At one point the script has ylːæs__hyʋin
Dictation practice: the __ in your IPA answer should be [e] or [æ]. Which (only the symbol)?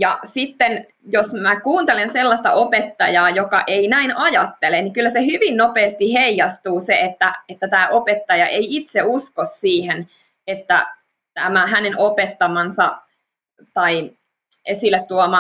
e